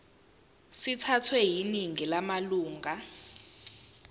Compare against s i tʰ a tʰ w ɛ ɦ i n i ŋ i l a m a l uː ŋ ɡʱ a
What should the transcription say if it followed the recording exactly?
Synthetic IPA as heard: s i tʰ a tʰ w ɛ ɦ i n i ŋ i l a m a l uː ŋ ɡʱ a